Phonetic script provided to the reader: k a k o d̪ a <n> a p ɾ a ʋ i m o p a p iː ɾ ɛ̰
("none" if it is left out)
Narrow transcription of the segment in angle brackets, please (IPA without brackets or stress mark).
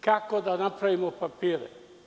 n